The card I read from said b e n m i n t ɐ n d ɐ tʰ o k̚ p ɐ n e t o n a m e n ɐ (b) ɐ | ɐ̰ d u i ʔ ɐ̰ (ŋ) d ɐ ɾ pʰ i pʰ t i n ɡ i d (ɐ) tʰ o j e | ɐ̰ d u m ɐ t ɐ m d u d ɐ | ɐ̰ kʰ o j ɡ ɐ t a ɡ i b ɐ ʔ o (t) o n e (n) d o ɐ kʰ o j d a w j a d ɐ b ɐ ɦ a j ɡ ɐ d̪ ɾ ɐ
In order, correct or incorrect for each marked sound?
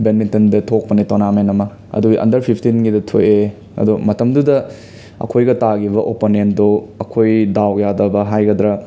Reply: incorrect: m, incorrect: n, correct, incorrect: p, correct

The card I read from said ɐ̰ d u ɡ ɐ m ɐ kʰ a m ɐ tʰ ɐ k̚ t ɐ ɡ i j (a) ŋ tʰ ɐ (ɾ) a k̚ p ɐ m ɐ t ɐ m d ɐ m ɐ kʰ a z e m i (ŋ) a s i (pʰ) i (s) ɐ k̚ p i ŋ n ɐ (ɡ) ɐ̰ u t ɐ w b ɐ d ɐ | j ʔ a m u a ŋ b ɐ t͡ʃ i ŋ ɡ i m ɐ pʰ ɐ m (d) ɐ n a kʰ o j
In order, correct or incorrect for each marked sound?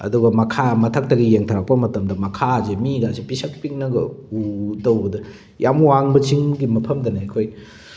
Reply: incorrect: e, correct, incorrect: ɡ, incorrect: p, correct, correct, correct

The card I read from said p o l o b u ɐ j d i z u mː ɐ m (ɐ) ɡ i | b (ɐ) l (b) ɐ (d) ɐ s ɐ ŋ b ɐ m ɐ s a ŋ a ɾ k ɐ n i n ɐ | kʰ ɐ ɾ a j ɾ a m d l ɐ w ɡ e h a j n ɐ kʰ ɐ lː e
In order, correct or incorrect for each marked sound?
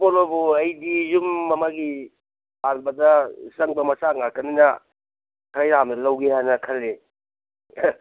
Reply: incorrect: a, incorrect: a, correct, correct

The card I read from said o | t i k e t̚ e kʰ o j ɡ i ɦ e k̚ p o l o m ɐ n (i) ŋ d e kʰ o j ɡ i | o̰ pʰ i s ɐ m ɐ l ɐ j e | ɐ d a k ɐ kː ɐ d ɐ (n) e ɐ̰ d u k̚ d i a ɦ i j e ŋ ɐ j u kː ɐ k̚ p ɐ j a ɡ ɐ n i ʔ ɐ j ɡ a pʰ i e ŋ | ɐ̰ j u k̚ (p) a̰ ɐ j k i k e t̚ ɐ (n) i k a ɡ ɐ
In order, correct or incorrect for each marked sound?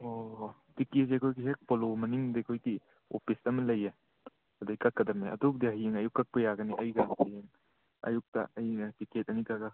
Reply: correct, incorrect: m, incorrect: t, correct

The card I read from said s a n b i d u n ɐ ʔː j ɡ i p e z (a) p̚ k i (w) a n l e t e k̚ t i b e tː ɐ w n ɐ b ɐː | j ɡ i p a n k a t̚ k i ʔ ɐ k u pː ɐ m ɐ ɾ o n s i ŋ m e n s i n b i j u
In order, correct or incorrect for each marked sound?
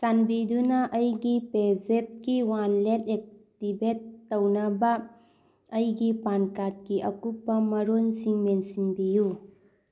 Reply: incorrect: e, correct

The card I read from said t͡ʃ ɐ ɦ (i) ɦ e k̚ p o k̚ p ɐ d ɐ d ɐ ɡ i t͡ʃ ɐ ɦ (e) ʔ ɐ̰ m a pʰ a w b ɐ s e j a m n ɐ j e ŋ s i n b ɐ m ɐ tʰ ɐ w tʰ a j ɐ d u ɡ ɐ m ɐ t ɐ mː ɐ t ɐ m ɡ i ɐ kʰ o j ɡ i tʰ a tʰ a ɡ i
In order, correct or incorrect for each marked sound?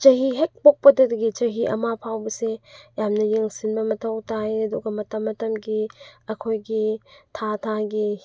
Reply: correct, incorrect: i

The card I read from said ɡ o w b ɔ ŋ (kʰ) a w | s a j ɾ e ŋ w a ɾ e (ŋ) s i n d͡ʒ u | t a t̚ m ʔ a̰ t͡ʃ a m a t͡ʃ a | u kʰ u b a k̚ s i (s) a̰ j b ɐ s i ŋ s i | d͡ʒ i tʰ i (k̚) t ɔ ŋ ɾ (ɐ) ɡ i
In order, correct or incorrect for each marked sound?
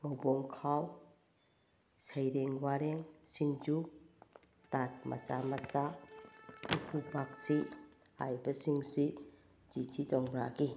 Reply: correct, correct, incorrect: h, incorrect: none, incorrect: a

